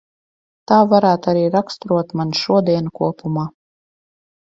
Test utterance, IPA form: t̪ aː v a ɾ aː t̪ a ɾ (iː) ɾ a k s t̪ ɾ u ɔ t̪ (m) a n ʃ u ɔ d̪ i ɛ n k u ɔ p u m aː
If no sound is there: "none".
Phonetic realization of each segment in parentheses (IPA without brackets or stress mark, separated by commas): iː, m